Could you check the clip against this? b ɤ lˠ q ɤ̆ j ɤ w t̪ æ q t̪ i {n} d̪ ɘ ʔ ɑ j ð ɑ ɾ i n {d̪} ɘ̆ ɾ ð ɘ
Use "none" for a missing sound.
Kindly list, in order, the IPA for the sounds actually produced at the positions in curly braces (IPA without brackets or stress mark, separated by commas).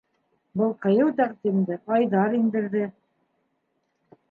m, d̪